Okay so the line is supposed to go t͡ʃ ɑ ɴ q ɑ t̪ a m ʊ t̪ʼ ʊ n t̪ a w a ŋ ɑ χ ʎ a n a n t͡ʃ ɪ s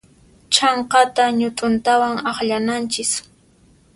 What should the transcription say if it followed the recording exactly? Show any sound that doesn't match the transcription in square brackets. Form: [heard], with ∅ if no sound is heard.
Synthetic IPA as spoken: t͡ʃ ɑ ɴ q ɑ t̪ a [ɲ] ʊ t̪ʼ ʊ n t̪ a w a ŋ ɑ χ ʎ a n a n t͡ʃ ɪ s